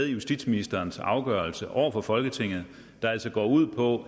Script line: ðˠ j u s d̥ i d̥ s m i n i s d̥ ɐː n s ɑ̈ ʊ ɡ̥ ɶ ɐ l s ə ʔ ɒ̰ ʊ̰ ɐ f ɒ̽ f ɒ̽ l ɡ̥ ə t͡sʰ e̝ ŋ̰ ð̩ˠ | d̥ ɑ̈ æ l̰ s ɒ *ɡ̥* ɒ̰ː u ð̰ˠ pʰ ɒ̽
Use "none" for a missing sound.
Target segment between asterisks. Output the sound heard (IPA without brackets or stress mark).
ɡ̥